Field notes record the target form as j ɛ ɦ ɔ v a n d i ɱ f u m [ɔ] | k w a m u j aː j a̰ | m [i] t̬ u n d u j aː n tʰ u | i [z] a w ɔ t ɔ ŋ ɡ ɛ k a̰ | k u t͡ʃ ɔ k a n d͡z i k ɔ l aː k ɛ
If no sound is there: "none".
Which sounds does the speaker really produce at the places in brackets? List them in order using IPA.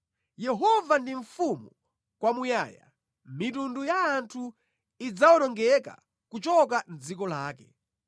u, i, d͡z

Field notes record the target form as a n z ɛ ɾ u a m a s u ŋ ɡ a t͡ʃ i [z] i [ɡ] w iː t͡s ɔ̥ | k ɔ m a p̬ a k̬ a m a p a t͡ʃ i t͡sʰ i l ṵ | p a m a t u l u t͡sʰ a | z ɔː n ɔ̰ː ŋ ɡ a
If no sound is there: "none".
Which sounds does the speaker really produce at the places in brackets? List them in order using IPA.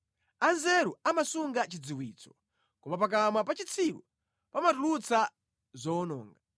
d͡z, none

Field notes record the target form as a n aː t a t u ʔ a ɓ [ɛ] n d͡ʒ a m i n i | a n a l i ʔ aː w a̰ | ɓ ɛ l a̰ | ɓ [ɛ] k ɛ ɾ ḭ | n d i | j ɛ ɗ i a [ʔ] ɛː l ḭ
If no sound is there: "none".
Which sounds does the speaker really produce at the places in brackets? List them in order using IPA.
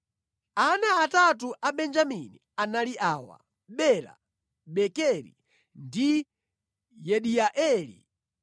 ɛ, ɛ, ʔ

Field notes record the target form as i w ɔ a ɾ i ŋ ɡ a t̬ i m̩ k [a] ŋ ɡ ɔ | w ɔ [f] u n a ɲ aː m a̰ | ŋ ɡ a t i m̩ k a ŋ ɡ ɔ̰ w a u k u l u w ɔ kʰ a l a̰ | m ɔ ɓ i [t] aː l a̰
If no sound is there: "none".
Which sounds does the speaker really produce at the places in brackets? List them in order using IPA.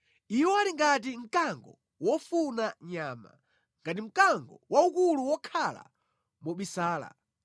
a, f, s

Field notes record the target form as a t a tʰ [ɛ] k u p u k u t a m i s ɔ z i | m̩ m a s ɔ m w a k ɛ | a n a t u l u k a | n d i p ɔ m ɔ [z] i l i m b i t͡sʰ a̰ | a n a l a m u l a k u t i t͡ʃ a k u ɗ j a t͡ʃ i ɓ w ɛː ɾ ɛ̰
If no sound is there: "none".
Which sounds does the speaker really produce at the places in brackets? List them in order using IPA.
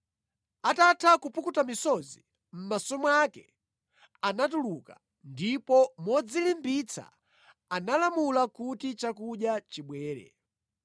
a, d͡z

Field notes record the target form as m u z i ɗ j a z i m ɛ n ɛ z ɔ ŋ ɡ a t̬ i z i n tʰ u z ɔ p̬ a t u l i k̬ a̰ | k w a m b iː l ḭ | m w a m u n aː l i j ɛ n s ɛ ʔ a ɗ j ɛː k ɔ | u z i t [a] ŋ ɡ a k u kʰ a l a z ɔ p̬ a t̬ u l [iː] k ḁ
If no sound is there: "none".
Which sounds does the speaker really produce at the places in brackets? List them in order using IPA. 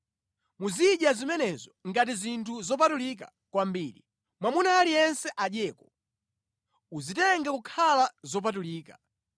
ɛ, iː

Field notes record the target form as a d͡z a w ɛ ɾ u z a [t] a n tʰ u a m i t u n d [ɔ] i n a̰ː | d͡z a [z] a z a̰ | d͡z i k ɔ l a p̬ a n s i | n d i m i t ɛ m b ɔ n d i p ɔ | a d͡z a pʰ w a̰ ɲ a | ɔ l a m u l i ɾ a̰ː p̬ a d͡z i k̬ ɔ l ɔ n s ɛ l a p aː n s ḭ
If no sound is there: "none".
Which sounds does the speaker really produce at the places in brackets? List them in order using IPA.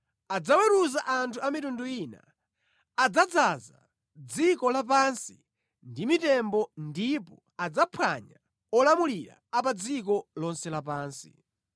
ʔ, u, d͡z

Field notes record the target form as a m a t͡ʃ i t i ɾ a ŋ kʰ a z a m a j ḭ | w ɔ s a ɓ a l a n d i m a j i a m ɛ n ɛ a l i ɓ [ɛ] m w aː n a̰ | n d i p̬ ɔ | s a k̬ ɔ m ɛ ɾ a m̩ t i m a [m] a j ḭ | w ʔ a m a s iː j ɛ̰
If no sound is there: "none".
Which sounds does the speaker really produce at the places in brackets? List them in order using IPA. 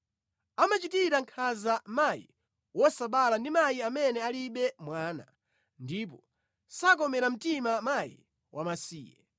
ɛ, m

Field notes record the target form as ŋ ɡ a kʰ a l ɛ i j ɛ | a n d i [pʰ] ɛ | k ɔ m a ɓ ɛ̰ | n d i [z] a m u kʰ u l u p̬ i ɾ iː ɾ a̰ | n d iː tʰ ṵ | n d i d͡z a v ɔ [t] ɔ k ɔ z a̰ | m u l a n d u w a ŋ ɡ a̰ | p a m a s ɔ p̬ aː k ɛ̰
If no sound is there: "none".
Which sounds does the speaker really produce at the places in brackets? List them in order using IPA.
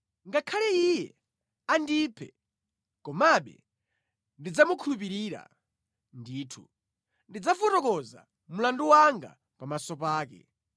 pʰ, d͡z, t

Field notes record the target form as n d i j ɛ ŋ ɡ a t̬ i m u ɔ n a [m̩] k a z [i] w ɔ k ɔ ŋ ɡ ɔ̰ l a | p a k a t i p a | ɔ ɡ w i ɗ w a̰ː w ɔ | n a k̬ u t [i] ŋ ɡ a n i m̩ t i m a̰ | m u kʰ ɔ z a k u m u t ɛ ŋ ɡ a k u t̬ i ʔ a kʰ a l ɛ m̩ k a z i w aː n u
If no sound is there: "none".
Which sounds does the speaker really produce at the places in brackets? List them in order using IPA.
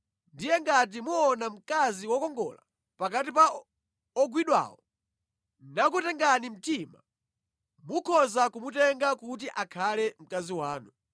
m̩, i, ɛ

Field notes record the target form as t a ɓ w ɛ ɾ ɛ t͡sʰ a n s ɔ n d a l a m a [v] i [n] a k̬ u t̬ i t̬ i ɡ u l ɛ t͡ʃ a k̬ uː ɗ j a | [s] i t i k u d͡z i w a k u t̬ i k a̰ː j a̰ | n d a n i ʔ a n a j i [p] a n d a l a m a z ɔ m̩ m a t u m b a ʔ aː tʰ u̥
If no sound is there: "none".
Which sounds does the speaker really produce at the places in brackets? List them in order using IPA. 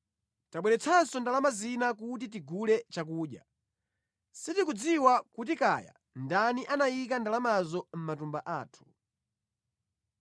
z, n, s, k

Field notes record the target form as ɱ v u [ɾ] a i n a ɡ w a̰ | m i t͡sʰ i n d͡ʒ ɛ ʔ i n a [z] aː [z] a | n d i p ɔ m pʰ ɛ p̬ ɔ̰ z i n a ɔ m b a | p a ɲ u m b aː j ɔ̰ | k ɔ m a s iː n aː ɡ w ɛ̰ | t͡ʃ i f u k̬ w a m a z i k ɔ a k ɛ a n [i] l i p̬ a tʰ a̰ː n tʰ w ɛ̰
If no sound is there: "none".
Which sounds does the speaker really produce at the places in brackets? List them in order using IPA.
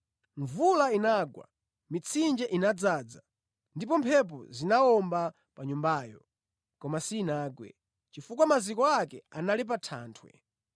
l, d͡z, d͡z, a

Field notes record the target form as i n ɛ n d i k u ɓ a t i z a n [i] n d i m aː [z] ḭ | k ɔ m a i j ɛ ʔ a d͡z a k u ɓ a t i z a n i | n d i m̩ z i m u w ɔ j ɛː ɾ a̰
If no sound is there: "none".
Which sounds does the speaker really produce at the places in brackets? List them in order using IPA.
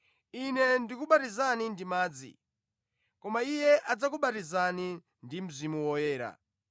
i, d͡z

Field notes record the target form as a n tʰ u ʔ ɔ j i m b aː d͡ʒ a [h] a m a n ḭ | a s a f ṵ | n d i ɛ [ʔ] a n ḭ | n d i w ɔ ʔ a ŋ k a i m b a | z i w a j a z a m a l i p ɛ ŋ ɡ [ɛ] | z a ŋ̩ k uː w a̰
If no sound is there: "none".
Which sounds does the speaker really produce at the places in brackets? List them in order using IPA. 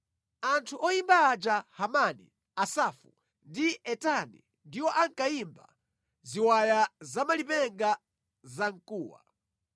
h, t, a

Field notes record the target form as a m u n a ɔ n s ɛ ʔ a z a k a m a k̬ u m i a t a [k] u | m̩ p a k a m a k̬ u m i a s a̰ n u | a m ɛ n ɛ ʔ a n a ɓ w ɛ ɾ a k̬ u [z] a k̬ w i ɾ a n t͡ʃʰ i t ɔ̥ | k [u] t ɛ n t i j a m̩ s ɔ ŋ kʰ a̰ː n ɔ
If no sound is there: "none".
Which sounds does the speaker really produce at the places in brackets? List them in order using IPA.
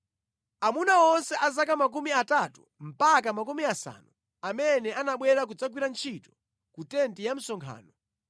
t, d͡z, u

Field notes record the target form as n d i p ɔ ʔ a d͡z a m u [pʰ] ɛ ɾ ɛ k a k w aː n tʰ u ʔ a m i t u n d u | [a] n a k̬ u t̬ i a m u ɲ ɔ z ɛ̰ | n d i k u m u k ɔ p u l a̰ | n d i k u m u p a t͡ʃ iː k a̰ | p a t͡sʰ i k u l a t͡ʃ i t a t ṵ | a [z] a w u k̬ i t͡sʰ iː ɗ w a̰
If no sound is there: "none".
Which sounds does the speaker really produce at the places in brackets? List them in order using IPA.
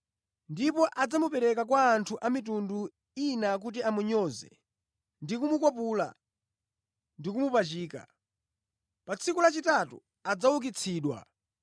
p, i, d͡z

